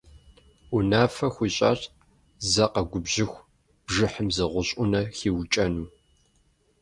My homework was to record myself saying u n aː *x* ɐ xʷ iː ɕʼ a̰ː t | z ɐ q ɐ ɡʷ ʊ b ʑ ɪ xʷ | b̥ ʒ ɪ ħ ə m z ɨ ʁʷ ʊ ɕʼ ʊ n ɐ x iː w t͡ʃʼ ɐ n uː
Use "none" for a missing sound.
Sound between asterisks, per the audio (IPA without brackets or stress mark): f